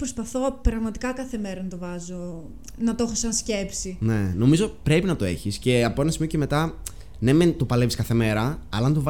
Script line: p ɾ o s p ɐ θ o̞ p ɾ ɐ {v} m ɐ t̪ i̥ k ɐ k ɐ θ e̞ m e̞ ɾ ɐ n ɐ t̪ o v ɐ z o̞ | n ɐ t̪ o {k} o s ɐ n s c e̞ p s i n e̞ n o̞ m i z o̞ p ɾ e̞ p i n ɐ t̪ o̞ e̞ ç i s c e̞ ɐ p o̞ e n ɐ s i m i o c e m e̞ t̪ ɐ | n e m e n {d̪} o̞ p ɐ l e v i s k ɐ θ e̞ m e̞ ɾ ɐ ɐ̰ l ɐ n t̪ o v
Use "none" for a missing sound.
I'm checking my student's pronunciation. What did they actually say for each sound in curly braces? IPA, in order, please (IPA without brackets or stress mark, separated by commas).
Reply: ɣ, x, t̪